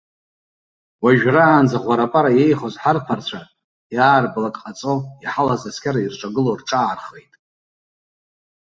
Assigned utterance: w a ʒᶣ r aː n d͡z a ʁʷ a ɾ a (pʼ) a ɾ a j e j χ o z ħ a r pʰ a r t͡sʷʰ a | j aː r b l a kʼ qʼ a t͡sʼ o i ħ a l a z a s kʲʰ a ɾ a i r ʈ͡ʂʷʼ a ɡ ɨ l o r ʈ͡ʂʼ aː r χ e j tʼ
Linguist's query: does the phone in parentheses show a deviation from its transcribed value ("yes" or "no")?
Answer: no